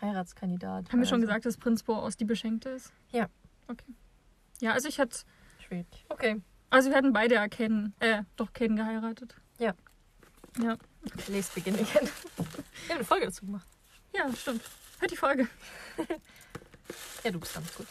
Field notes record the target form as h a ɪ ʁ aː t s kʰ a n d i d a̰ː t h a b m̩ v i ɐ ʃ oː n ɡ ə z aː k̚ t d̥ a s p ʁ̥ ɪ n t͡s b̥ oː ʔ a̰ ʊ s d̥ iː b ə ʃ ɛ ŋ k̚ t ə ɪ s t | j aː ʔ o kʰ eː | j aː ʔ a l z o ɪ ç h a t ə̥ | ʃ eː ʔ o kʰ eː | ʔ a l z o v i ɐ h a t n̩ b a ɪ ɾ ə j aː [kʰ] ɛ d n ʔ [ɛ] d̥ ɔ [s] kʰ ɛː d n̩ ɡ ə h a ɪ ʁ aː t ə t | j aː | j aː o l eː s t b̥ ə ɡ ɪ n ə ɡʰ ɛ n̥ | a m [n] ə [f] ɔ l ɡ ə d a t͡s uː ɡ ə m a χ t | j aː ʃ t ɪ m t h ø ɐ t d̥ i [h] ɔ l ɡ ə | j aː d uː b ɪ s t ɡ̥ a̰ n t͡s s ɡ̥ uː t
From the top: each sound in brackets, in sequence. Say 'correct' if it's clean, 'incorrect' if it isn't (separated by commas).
correct, incorrect, incorrect, correct, correct, incorrect